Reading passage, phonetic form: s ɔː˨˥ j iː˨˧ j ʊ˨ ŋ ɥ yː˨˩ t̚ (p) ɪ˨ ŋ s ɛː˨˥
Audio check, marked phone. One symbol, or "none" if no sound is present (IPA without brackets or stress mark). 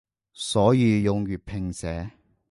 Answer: pʰ